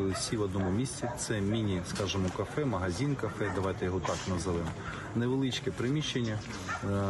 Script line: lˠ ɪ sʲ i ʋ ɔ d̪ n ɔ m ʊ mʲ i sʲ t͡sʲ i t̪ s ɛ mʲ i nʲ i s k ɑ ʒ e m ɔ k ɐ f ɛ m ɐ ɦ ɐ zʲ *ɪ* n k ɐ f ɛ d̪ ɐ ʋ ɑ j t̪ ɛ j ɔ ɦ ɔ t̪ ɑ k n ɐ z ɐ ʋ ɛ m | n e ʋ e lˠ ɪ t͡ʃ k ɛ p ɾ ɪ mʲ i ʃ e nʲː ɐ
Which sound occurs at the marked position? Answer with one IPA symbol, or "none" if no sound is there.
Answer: i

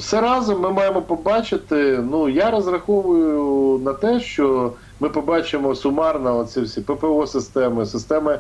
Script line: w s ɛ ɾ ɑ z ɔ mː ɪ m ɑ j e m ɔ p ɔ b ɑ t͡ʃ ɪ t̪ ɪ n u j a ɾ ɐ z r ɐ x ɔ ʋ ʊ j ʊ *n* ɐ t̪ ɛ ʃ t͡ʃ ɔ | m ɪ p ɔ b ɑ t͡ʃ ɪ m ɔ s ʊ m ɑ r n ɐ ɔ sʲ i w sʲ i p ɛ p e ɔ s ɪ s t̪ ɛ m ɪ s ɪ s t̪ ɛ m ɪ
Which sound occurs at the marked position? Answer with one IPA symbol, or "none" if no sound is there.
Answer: n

